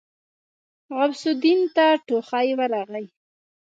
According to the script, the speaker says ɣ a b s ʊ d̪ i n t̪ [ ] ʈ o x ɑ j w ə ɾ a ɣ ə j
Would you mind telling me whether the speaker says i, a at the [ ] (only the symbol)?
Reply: a